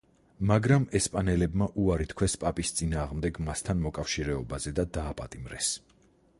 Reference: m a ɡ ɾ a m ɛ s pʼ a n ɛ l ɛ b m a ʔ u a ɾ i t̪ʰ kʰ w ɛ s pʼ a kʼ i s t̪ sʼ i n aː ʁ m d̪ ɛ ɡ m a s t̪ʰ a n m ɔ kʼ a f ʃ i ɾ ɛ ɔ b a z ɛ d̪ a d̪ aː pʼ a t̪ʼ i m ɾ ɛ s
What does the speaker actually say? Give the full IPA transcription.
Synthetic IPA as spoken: m a ɡ ɾ a m ɛ s pʼ a n ɛ l ɛ b m a ʔ u a ɾ i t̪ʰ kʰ w ɛ s pʼ a pʼ i s t̪ sʼ i n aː ʁ m d̪ ɛ ɡ m a s t̪ʰ a n m ɔ kʼ a f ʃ i ɾ ɛ ɔ b a z ɛ d̪ a d̪ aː pʼ a t̪ʼ i m ɾ ɛ s